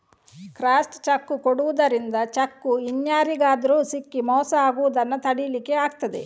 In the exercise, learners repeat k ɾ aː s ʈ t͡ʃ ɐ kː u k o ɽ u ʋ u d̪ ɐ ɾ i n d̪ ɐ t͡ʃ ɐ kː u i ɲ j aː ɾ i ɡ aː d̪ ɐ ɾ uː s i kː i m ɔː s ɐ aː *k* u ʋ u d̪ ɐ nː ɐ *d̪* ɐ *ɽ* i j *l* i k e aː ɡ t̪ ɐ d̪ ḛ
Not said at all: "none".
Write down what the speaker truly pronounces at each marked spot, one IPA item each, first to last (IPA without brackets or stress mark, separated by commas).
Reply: ɡ, t̪, ɽ, l